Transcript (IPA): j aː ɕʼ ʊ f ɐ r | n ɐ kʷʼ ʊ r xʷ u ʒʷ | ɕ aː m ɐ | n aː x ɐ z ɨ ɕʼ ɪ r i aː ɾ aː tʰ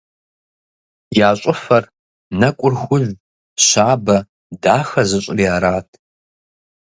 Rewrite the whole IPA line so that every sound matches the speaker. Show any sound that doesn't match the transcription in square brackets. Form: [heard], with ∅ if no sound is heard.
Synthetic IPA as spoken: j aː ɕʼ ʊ f ɐ r | n ɐ kʷʼ ʊ r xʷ [ʊ] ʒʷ | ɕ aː [b] ɐ | [d] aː x ɐ z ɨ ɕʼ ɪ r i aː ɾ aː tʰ